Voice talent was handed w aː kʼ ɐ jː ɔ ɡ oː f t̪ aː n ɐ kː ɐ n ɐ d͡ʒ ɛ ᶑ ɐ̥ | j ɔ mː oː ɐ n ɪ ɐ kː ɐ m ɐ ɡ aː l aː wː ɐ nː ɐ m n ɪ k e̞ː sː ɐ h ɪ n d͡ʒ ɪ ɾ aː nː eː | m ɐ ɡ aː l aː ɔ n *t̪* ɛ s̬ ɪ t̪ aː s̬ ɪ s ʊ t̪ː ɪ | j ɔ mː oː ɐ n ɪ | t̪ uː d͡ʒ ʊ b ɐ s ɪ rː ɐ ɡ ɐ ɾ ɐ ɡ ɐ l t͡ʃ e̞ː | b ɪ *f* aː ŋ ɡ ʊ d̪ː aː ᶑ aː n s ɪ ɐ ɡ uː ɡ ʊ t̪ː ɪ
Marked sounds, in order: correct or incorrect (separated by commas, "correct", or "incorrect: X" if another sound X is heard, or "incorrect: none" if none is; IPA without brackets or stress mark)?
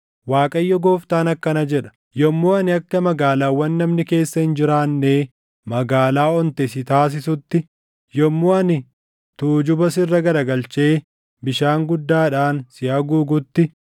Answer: correct, incorrect: ʃ